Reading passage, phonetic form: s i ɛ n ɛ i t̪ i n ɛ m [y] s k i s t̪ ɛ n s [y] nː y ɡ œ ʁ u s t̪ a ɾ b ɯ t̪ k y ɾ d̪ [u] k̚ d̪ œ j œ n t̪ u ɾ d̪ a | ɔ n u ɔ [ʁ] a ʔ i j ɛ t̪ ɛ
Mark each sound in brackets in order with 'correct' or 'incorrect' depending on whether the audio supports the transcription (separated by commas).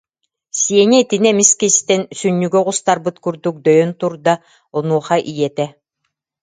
incorrect, correct, correct, incorrect